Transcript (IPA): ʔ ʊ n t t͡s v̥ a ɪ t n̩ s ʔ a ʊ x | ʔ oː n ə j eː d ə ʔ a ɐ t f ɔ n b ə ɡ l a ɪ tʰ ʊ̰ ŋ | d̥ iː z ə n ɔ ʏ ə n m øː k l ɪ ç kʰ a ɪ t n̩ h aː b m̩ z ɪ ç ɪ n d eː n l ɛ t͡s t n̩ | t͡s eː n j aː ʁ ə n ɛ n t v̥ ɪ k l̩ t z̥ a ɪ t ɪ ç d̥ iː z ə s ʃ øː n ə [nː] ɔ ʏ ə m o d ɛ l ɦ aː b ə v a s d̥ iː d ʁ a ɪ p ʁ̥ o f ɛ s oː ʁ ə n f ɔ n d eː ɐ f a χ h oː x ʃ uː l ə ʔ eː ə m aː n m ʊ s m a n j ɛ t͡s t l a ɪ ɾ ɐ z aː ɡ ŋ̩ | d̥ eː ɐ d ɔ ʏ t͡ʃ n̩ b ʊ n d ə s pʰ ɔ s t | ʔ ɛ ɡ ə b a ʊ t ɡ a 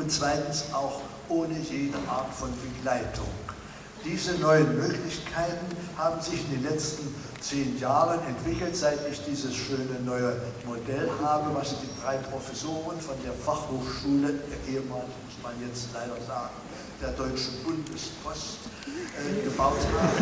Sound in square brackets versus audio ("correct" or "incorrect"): incorrect